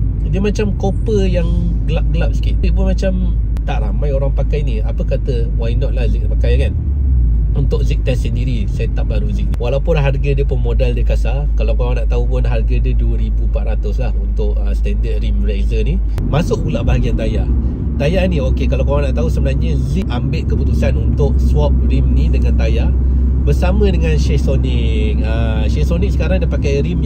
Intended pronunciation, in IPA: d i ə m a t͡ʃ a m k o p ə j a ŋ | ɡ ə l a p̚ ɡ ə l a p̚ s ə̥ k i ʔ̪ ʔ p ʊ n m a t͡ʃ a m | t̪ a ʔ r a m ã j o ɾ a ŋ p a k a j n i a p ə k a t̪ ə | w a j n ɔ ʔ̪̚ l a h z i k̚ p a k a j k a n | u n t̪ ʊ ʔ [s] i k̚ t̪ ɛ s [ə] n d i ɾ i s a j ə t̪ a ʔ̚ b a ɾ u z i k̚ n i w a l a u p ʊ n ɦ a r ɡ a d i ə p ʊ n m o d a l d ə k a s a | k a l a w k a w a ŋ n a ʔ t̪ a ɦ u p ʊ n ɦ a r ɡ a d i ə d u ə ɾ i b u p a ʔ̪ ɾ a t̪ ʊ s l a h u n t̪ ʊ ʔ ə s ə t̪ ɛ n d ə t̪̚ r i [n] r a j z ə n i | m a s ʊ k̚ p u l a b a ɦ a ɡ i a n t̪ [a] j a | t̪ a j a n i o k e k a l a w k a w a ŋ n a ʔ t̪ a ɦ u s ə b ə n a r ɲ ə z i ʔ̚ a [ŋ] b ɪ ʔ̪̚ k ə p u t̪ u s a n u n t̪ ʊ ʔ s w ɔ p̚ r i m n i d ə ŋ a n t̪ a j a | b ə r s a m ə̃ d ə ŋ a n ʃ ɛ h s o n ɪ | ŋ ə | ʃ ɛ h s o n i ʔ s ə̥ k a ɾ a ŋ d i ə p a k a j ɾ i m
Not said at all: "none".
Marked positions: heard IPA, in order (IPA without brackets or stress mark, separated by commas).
z, ə, m, a, m